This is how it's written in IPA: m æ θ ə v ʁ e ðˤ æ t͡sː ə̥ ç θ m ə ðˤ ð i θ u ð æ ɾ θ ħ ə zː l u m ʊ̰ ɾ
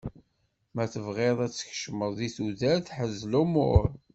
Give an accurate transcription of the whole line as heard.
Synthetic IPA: m æ θ ə v ʁ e ðˤ æ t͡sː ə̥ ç ʃ m ə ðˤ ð i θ u ð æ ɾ θ ħ ə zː l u m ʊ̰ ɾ